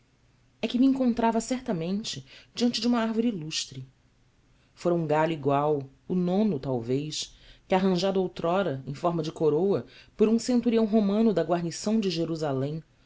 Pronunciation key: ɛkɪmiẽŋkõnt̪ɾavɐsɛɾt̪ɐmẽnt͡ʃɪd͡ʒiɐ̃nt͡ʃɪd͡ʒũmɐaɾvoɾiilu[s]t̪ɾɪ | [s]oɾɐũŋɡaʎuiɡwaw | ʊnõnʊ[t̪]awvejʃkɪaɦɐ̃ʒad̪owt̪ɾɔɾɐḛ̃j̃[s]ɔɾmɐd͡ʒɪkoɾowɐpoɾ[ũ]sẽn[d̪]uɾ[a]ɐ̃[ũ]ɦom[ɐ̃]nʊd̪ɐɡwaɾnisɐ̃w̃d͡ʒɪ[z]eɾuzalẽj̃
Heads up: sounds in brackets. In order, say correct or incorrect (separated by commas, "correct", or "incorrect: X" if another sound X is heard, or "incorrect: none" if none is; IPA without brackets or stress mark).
incorrect: ʃ, incorrect: f, correct, incorrect: f, correct, incorrect: t̪, incorrect: i, incorrect: w̃, correct, incorrect: ʒ